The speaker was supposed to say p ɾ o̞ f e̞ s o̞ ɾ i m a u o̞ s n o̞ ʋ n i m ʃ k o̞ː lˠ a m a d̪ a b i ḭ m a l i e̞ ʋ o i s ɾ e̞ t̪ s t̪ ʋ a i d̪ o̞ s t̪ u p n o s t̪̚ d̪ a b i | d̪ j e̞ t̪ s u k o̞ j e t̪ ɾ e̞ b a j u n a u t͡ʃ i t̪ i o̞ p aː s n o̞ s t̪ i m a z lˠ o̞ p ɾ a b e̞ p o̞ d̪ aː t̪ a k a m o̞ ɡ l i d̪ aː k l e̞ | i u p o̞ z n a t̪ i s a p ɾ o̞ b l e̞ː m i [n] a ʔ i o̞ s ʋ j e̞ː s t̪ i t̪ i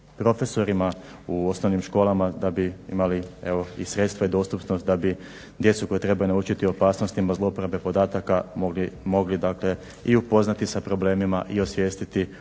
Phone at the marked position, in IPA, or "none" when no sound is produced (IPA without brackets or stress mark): m